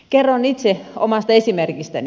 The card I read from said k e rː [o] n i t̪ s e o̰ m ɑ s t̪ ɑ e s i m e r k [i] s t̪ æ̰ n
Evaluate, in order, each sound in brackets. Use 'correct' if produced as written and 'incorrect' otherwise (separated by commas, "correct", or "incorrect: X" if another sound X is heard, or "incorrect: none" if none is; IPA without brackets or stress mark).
correct, correct